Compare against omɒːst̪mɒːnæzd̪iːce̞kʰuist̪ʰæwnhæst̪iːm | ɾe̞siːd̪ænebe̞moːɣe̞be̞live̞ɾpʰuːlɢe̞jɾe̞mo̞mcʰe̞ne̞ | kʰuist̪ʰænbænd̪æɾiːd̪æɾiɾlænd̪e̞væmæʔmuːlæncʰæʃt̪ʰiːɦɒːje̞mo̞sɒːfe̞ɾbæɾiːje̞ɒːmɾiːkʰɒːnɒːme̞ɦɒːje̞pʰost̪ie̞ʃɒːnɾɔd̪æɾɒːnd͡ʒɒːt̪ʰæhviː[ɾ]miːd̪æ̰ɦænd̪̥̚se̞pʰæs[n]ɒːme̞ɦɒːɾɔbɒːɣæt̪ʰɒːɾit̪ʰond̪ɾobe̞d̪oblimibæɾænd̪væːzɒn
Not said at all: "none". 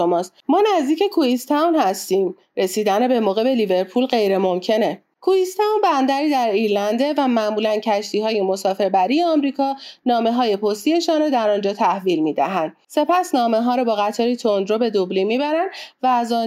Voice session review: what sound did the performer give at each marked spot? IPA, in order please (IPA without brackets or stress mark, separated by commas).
l, n